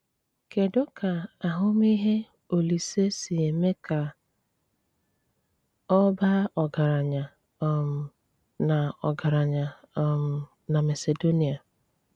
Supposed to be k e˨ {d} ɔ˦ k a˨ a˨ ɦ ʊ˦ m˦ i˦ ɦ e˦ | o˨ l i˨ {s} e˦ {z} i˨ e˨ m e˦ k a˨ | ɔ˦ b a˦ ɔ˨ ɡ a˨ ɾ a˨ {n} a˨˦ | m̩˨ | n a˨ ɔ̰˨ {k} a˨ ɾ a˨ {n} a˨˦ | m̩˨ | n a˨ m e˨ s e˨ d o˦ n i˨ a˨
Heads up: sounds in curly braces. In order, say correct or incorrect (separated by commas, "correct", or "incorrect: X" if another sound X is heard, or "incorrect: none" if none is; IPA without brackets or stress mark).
correct, correct, incorrect: s, incorrect: ɲ, incorrect: ɡ, incorrect: ɲ